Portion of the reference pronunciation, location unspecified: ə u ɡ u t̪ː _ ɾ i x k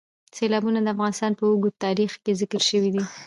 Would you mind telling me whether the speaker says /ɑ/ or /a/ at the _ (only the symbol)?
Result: ɑ